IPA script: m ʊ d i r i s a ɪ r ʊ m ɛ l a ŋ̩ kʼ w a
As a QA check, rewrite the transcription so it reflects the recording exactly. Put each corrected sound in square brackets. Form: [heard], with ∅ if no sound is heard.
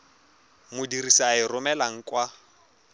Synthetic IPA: m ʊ d i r i s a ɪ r ʊ m ɛ l a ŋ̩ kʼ w a

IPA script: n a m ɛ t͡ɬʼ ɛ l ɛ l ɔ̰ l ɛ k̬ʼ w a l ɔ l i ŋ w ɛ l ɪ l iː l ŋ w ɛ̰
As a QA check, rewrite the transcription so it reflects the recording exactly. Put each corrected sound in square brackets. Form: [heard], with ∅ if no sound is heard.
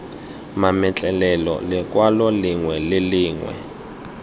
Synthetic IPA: [m] a m ɛ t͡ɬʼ ɛ l ɛ l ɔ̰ l ɛ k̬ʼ w a l ɔ l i ŋ w ɛ l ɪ l iː [∅] ŋ w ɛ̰

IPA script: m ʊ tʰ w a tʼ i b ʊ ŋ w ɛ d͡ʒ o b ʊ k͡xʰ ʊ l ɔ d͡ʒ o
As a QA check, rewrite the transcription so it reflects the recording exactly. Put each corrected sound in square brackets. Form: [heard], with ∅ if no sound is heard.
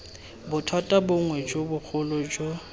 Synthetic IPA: [b] ʊ tʰ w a tʼ [a] b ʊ ŋ w ɛ d͡ʒ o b ʊ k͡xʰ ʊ l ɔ d͡ʒ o

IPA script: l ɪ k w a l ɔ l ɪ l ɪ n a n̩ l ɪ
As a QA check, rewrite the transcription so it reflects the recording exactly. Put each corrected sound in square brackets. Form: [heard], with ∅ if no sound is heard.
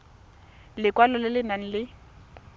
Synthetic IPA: l ɪ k w a l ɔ l ɪ l ɪ n a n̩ l ɪ

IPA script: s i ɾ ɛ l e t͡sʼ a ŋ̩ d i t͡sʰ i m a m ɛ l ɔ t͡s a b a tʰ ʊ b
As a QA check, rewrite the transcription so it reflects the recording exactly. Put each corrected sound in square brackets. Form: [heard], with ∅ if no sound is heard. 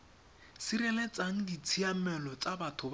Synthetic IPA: s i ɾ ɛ l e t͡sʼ a ŋ̩ d i t͡sʰ i [∅] a m ɛ l ɔ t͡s a b a tʰ ʊ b

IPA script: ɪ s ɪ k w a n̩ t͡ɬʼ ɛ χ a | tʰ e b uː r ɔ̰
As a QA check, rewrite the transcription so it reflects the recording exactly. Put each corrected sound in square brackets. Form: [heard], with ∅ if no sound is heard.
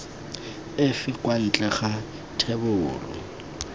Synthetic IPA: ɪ [f] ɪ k w a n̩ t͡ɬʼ ɛ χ a | tʰ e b [ʊː] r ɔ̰

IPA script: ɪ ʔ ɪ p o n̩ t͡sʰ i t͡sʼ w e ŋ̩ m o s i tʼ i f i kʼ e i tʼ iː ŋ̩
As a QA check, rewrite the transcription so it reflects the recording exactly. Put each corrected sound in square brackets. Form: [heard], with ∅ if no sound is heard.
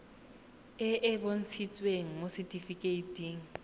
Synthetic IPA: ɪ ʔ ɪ [b] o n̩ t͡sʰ i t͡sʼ w e ŋ̩ m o s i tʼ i f i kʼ e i tʼ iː ŋ̩

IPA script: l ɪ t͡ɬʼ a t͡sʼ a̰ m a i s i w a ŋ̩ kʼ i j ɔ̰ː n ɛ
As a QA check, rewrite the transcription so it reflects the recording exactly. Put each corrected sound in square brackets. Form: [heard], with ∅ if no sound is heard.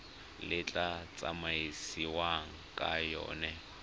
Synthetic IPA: l ɪ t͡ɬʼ a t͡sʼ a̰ m a i s i w a ŋ̩ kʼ [a] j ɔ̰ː n ɛ

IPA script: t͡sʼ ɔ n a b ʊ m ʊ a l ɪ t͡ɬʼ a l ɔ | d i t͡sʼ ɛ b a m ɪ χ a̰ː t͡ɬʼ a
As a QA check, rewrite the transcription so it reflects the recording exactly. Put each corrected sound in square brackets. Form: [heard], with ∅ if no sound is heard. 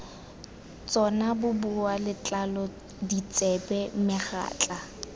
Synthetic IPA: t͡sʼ ɔ n a b ʊ [b] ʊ a l ɪ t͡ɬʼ a l ɔ | d i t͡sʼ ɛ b [ɛ] m ɪ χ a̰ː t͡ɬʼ a

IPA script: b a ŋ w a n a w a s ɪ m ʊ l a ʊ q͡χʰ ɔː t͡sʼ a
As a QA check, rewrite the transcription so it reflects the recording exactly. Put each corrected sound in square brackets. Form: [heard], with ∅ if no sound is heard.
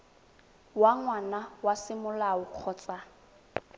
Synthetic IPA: [w] a ŋ w a n a w a s ɪ m ʊ l a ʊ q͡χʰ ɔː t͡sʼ a

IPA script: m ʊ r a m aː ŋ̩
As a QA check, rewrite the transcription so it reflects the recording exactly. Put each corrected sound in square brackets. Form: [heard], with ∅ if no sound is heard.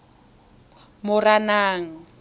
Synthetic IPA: m ʊ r a [n] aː ŋ̩

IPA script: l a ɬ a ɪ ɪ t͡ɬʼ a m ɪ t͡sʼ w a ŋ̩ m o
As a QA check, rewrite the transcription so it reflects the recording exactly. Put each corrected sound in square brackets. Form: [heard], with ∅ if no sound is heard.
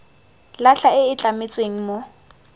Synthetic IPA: l a ɬ a ɪ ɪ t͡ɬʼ a m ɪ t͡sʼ w [e] ŋ̩ m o

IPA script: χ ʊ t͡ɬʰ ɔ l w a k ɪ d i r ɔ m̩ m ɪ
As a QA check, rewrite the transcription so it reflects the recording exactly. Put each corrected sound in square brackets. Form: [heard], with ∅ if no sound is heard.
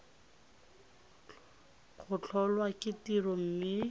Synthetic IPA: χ ʊ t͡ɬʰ ɔ l w a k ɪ [t] i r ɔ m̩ m ɪ

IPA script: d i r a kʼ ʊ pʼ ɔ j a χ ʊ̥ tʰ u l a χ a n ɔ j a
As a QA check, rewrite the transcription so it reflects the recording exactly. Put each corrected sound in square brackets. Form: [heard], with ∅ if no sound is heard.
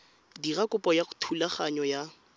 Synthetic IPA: d i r a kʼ ʊ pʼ ɔ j a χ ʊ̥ tʰ u l a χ a [ɲ] ɔ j a

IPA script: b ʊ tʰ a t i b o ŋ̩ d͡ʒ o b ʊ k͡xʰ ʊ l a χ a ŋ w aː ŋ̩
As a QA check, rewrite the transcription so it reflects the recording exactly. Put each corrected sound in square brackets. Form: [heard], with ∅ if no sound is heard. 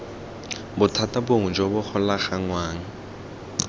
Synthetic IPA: b ʊ tʰ a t [a] b o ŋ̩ d͡ʒ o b ʊ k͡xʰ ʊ l a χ a ŋ w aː ŋ̩

